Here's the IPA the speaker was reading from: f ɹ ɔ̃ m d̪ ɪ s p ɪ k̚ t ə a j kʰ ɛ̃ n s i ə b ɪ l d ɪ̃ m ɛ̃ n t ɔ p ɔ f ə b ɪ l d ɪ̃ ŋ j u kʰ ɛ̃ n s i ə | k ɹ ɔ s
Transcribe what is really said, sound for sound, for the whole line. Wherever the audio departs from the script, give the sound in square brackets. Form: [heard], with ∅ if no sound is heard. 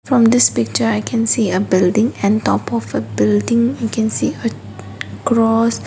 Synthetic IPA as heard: f ɹ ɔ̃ m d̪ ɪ s p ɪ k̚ [t͡ʃ] ə a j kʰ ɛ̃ n s i ə b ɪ l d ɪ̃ [ŋ] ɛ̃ n t ɔ p ɔ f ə b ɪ l d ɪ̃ ŋ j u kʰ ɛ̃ n s i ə | k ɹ ɔ s